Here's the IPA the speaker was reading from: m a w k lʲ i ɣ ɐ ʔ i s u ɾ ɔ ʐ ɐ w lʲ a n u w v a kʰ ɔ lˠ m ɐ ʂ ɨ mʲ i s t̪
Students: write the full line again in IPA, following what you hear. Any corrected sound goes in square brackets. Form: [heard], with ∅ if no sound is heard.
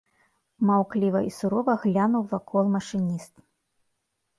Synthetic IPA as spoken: m a w k lʲ i [v] ɐ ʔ i s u ɾ ɔ [v] ɐ [ɣ] lʲ a n u w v a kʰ ɔ lˠ m ɐ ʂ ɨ [nʲ] i s t̪